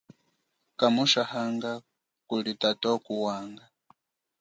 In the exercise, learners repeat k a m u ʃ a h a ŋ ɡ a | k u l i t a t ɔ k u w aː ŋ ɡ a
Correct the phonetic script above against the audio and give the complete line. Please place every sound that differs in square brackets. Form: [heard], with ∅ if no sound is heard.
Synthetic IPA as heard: k a m u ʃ a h a ŋ ɡ a | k u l i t a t ɔ k u w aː ŋ ɡ a